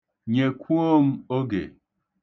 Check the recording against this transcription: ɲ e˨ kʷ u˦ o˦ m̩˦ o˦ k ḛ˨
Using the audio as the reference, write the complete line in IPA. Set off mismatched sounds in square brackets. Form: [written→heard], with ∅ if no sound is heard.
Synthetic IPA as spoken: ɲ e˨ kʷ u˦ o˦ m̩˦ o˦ [k→ɡ] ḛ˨